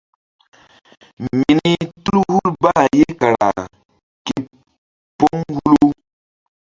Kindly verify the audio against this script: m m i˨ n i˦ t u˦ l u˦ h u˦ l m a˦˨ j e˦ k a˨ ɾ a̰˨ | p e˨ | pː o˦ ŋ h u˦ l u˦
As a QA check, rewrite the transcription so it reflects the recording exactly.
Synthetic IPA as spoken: m m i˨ n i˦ t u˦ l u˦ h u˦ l b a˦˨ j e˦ k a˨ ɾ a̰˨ | k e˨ | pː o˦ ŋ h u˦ l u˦